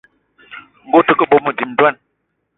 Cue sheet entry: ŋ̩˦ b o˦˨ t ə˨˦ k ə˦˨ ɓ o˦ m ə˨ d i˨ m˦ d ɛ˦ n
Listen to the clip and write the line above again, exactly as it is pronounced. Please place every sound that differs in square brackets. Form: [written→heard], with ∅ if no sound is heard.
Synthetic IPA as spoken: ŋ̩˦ [b→ɡ] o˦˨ t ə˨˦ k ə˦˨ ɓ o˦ m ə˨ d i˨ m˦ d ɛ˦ n